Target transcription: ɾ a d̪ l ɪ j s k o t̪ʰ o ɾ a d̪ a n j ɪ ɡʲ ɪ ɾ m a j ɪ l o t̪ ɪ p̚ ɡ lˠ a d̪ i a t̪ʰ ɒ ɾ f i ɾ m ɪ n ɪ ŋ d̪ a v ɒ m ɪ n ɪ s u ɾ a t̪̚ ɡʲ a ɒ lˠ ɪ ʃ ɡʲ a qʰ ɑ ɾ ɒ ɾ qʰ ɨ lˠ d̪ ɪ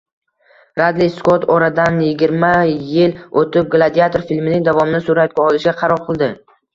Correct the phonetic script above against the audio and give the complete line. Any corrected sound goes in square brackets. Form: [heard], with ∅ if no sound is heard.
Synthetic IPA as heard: ɾ a d̪ l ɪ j s k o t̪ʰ [ɒ] ɾ a d̪ a n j ɪ ɡʲ ɪ ɾ m a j ɪ l o t̪ ɪ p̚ ɡ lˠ a d̪ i a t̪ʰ [o] ɾ f i [l] m ɪ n ɪ ŋ d̪ a v ɒ m ɪ n ɪ s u ɾ a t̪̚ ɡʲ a ɒ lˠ ɪ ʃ ɡʲ a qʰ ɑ ɾ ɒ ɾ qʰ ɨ lˠ d̪ ɪ